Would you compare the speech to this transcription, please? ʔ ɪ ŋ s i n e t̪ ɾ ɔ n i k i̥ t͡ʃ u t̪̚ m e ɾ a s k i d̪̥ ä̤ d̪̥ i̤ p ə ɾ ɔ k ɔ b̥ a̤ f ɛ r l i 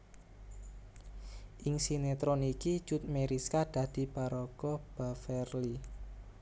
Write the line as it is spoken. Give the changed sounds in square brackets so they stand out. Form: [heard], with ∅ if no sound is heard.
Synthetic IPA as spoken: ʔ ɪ ŋ s i n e t̪ ɾ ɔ n i k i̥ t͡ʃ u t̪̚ m e ɾ [i] s k [a] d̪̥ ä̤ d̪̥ i̤ p [a] ɾ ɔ k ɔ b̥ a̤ f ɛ r l i